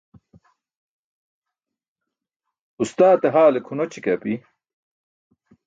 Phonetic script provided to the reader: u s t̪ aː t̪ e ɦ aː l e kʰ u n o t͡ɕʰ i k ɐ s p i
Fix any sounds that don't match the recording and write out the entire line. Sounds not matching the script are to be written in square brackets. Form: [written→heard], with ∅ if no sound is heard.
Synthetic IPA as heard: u s t̪ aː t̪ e ɦ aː l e kʰ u n o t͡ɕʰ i k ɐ [s→∅] p i